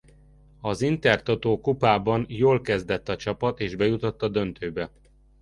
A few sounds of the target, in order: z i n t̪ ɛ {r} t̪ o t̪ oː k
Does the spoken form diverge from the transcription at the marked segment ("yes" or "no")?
no